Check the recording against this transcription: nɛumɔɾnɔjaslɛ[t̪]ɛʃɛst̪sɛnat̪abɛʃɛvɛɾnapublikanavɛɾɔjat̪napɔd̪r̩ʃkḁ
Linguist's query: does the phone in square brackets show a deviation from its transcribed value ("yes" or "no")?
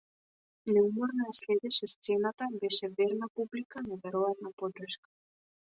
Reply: yes